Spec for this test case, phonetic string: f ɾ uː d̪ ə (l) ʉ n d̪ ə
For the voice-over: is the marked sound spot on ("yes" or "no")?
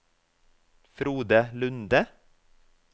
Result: yes